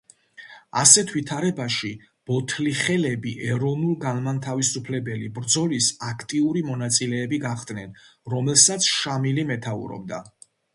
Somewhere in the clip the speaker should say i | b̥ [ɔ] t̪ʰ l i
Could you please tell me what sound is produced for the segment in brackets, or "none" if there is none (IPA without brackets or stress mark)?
ɔ